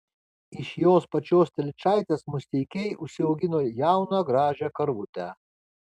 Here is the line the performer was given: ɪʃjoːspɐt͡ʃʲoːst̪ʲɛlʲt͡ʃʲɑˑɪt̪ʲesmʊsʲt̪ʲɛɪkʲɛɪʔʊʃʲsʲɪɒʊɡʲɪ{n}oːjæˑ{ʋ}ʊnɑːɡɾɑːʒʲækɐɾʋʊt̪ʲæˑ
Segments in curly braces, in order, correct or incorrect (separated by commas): correct, incorrect